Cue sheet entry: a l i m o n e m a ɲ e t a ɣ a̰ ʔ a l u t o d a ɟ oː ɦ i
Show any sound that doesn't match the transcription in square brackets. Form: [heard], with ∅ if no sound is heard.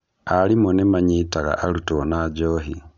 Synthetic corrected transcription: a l i m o n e m a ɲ [i] t a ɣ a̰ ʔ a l u t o [n] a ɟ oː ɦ i